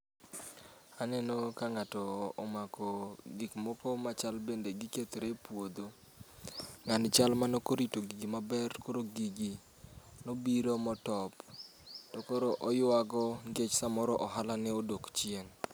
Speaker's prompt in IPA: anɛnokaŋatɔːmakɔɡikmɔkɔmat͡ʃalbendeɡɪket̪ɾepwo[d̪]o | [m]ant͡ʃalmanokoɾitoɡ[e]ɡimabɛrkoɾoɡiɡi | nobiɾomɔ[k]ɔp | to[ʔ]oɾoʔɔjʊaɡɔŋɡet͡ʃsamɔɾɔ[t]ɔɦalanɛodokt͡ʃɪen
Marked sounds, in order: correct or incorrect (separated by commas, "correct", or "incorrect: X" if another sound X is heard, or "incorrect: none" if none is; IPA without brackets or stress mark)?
correct, incorrect: ŋ, incorrect: i, incorrect: t, incorrect: k, incorrect: ʔ